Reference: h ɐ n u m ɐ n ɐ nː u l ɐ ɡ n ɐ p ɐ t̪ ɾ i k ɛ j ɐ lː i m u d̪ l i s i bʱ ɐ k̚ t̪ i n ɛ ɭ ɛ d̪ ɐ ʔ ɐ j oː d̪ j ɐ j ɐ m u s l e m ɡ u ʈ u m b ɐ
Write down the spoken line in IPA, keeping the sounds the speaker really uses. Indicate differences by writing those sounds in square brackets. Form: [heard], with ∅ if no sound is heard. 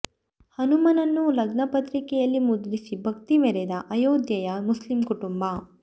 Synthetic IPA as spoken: h ɐ n u m ɐ n ɐ nː u l ɐ ɡ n ɐ p ɐ t̪ ɾ i k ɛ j ɐ lː i m u d̪ l i s i bʱ ɐ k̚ t̪ i [m] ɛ [ɾ] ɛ d̪ ɐ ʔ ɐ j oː d̪ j ɐ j ɐ m u s l [i] m [k] u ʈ u m b ɐ